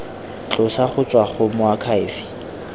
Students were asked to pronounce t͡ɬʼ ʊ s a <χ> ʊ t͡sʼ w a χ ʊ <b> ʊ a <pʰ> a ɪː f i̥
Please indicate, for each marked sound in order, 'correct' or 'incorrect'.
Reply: correct, incorrect, incorrect

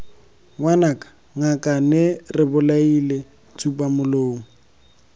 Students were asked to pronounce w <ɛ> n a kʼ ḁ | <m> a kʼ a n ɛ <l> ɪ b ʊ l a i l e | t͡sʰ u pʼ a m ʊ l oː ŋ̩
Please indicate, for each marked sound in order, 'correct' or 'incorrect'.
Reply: incorrect, incorrect, incorrect

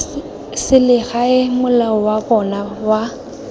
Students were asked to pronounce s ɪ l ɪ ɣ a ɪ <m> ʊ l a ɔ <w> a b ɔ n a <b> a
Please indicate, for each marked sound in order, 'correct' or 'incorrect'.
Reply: correct, correct, incorrect

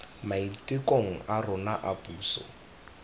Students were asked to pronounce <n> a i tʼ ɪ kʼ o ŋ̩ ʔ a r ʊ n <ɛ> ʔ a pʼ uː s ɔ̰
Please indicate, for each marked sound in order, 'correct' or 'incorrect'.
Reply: incorrect, incorrect

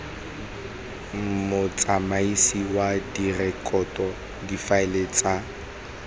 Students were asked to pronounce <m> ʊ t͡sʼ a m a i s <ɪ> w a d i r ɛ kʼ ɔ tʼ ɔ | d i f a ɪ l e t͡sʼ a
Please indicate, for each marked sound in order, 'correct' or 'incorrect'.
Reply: correct, incorrect

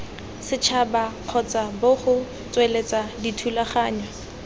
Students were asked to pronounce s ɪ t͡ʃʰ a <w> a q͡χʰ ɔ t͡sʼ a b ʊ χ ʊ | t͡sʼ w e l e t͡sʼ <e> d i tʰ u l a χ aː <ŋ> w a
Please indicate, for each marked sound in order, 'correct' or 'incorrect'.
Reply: incorrect, incorrect, incorrect

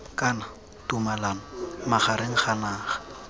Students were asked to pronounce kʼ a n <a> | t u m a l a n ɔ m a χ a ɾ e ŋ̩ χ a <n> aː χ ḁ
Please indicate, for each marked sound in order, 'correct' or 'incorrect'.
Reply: correct, correct

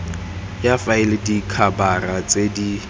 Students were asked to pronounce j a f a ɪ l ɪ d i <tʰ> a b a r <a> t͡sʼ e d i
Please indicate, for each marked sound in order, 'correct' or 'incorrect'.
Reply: incorrect, correct

